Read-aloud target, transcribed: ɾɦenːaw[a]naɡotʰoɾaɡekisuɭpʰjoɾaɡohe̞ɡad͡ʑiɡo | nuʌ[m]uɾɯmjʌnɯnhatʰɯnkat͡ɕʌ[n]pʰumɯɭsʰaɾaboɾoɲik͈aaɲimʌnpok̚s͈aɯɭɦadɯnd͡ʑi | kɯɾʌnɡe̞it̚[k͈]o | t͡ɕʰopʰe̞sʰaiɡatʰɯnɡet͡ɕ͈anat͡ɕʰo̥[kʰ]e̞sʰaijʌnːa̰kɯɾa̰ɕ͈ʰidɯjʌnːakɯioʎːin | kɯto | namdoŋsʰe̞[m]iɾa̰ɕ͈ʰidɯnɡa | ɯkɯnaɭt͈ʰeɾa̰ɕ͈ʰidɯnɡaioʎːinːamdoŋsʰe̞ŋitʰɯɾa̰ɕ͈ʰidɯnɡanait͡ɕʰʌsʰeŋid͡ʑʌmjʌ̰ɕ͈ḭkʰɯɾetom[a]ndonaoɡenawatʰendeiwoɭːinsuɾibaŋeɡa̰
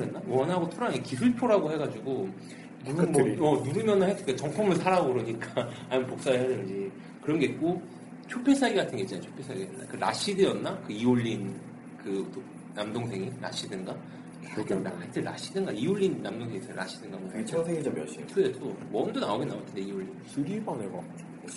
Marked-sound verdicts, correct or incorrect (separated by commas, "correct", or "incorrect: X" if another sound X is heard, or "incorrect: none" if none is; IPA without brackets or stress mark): incorrect: ʌ, incorrect: n, incorrect: ŋ, correct, incorrect: pʰ, incorrect: ŋ, incorrect: ʌ